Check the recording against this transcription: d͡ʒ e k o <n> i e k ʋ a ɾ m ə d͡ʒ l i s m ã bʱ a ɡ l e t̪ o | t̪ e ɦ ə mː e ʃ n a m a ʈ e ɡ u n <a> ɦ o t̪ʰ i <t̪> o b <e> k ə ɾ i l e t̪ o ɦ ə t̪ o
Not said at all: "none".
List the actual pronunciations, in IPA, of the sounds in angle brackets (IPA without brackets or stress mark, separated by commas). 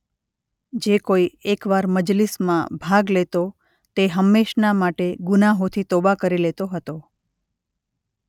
none, a, t̪, a